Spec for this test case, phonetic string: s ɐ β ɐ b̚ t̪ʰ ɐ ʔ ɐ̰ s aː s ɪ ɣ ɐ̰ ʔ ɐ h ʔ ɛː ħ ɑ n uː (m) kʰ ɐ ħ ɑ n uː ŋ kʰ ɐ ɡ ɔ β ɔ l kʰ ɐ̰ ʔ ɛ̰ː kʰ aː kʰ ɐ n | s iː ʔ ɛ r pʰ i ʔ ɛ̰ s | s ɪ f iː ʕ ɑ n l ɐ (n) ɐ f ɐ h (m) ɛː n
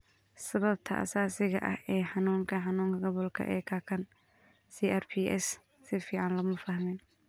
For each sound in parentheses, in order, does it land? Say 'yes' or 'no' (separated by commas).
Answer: no, no, yes